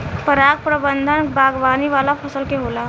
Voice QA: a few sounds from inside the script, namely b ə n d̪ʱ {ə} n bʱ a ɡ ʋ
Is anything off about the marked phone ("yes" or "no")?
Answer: no